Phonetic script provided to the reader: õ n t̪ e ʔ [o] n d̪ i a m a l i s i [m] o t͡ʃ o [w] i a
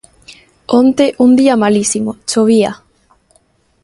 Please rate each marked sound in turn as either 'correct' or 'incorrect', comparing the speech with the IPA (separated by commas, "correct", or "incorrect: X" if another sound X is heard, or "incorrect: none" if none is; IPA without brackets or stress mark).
incorrect: u, correct, incorrect: β